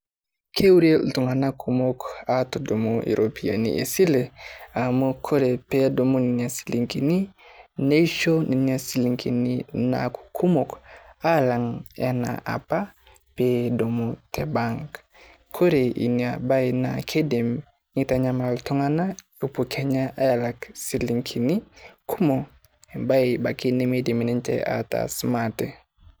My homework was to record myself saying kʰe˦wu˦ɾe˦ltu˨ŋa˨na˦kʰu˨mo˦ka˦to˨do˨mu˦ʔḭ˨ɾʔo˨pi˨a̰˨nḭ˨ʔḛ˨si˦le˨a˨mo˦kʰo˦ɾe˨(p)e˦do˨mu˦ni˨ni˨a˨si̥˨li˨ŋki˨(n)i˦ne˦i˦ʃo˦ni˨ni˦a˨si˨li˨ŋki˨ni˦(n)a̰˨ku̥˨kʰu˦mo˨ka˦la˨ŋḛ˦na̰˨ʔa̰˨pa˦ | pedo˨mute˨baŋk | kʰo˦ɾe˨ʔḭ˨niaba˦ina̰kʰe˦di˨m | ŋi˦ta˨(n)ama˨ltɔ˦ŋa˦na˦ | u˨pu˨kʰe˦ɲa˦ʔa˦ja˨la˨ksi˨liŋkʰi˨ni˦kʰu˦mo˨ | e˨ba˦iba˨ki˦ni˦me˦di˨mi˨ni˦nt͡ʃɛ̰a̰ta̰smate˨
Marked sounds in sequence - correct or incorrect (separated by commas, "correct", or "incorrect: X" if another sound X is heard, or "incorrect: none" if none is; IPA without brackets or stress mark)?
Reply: correct, correct, correct, incorrect: ɲ